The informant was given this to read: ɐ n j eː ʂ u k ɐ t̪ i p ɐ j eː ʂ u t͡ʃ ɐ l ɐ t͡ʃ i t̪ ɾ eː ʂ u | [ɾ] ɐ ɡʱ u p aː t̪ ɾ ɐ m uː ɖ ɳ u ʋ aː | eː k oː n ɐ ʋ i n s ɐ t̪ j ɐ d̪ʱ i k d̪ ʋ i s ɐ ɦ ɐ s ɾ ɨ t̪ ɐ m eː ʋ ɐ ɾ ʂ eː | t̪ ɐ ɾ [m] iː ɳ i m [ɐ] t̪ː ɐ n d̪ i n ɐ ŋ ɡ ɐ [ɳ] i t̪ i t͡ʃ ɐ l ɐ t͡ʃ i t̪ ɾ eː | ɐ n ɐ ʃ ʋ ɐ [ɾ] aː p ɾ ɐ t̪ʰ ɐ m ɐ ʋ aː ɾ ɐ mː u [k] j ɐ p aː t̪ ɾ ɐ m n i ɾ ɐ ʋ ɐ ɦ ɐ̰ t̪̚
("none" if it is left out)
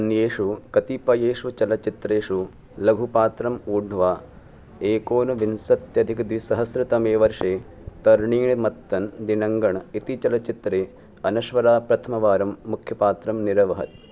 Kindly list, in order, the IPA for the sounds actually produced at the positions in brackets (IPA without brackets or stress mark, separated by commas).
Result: l, ɳ, ɐ, ɳ, ɾ, kʰ